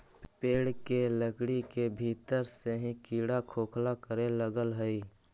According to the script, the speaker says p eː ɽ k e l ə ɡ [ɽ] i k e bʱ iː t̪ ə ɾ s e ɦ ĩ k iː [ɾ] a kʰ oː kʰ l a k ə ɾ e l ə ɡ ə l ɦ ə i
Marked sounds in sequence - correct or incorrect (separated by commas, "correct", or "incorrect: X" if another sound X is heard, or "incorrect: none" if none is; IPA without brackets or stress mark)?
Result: correct, incorrect: ɽ